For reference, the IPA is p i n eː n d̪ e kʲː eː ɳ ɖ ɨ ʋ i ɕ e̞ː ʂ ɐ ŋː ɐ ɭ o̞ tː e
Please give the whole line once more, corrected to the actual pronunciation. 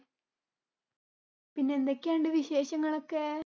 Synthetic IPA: p i nː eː n d̪ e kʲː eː ɳ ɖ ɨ ʋ i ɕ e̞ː ɕ ɐ ŋː ɐ ɭ o̞ kː e